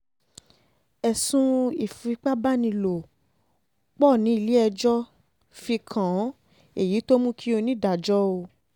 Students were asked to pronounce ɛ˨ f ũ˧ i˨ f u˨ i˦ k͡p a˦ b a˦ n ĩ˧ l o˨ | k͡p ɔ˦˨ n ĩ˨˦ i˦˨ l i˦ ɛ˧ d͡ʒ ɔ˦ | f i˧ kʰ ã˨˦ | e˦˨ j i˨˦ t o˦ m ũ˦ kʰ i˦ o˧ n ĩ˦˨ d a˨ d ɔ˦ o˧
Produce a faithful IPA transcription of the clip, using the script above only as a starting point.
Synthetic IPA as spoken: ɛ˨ s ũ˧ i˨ f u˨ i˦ k͡p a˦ b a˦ n ĩ˧ l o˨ | k͡p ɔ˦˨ n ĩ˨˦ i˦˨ l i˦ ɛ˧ d͡ʒ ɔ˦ | f i˧ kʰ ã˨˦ | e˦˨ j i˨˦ t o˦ m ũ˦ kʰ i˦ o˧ n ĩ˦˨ d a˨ d͡ʒ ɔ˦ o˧

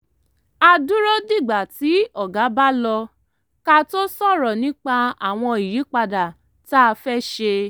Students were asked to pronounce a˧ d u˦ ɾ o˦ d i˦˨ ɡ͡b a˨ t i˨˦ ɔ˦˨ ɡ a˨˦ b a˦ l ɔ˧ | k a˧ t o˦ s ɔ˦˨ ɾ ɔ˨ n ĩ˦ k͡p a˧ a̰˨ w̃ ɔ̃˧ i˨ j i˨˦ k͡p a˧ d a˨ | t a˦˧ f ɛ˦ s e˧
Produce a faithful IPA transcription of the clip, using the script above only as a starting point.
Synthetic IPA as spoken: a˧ d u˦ ɾ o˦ d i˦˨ ɡ͡b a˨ t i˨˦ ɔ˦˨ ɡ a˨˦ b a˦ l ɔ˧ | k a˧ t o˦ s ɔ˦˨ ɾ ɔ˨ n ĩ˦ k͡p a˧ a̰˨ w̃ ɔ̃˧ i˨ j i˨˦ k͡p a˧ d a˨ | t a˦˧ f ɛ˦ ʃ e˧

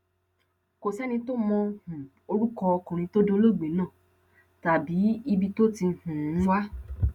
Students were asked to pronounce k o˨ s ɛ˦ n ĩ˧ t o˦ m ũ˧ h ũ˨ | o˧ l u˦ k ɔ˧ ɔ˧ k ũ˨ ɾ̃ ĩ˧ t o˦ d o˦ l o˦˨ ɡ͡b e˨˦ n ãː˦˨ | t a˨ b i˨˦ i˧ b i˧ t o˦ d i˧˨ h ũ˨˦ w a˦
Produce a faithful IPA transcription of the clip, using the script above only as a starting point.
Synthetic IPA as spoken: k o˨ s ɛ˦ n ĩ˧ t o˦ m ɔ̃˧ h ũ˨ | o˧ ɾ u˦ k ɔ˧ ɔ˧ k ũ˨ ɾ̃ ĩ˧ t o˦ d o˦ l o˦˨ ɡ͡b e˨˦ n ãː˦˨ | t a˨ b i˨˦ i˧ b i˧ t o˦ t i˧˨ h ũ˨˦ w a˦

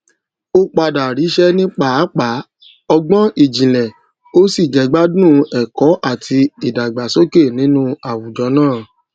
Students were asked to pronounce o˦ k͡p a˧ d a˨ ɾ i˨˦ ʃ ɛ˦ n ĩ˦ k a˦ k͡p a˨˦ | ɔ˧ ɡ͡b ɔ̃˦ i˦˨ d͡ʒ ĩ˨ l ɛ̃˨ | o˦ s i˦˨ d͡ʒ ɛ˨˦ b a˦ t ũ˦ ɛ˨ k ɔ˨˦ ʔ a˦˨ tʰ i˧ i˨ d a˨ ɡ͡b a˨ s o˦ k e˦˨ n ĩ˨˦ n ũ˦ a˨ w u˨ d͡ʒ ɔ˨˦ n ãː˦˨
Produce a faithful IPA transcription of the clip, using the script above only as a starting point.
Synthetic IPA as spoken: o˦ k͡p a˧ d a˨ ɾ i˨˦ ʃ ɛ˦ n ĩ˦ k͡p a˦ k͡p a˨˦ | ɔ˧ ɡ͡b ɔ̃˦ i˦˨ d͡ʒ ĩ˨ l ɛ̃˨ | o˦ s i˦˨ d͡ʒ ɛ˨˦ ɡ͡b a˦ d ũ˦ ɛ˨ k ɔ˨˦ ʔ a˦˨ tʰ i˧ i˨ d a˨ ɡ͡b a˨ s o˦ k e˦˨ n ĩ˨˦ n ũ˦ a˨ w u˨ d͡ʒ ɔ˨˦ n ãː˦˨

